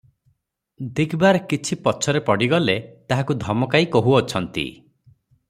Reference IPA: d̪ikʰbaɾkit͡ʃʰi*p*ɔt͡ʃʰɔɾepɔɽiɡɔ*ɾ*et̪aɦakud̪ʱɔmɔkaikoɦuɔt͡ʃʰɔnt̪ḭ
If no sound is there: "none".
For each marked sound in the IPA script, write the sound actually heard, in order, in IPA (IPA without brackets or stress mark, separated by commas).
p, l